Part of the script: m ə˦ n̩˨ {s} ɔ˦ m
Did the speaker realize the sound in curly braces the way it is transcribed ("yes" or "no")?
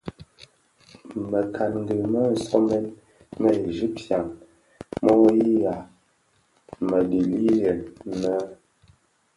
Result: yes